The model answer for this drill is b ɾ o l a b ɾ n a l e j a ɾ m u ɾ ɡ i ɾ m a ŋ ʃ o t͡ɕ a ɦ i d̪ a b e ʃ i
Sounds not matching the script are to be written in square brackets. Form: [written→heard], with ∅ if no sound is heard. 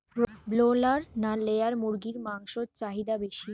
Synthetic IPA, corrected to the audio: b [ɾ→l] o l a [b→∅] ɾ n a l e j a ɾ m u ɾ ɡ i ɾ m a ŋ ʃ o t͡ɕ a ɦ i d̪ a b e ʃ i